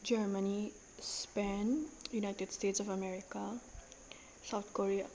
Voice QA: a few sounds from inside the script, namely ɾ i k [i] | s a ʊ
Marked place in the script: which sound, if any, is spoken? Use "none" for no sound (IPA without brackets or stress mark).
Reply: a